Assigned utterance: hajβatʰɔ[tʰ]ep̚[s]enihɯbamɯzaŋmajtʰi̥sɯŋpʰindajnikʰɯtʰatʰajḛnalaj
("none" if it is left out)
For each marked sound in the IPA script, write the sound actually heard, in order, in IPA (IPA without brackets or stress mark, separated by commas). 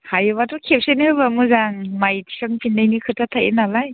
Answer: kʰ, s